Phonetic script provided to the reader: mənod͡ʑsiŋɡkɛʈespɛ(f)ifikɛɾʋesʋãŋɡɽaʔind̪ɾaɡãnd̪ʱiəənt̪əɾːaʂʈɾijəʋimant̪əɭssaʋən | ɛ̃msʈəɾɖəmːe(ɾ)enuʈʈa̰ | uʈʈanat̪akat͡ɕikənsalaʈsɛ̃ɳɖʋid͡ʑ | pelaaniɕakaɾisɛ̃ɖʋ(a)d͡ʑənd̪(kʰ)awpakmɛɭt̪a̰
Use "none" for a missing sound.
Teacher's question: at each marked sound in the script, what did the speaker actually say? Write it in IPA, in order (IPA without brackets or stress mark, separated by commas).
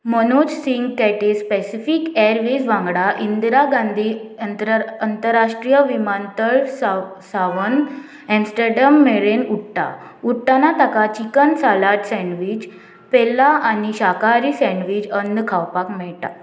s, ɭ, i, kʰ